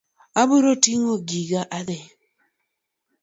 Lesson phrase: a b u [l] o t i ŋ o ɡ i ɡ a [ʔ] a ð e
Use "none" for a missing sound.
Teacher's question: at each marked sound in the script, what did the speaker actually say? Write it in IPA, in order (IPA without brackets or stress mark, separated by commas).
ɾ, ʔ